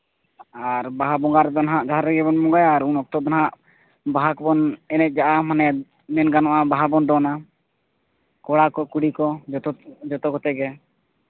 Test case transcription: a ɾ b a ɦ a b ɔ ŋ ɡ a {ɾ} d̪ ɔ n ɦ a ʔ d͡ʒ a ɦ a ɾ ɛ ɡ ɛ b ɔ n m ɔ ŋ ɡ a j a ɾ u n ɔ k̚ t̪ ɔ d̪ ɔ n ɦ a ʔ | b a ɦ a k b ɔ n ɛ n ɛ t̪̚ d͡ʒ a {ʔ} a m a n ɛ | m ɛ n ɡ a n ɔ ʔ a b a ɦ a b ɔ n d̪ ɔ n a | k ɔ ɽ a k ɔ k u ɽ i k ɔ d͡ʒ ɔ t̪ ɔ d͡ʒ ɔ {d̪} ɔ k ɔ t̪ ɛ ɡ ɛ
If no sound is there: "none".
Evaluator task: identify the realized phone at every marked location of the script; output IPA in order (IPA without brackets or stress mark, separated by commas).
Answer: ɾ, ʔ, t̪